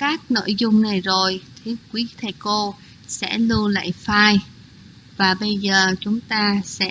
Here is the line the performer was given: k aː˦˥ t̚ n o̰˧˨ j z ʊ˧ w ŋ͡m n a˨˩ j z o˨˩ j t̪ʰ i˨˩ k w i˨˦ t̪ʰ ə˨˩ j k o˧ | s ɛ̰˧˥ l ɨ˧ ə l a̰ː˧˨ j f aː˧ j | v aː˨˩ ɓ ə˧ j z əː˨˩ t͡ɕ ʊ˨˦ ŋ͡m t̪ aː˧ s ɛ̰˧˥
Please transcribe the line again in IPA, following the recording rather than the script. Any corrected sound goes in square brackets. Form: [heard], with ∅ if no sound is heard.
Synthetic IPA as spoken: k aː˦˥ [k̚] n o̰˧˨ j z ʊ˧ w ŋ͡m n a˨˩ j z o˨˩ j t̪ʰ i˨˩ k w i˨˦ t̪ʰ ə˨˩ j k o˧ | s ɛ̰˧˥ l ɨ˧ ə l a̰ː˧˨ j f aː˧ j | v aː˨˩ ɓ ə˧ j z əː˨˩ t͡ɕ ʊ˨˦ ŋ͡m t̪ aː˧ s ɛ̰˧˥